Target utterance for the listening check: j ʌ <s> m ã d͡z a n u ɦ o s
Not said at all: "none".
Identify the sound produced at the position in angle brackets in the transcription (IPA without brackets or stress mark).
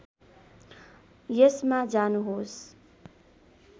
s